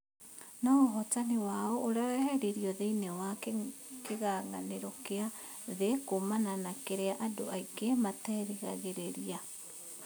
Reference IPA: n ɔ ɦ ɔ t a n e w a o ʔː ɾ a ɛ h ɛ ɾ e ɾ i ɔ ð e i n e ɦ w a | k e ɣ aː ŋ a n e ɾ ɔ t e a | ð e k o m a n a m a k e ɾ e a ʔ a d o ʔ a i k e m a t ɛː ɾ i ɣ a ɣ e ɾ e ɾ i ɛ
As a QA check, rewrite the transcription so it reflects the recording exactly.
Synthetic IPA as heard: n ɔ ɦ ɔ t a n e w a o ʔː ɾ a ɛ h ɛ ɾ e ɾ i ɔ ð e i n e w a | k e ɣ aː ŋ a n e ɾ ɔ k e a | ð e k o m a n a n a k e ɾ e a ʔ a d o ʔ a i k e m a t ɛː ɾ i ɣ a ɣ e ɾ e ɾ i a